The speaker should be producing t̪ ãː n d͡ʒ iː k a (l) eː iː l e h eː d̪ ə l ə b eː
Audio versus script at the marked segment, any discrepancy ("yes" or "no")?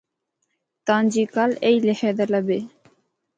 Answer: no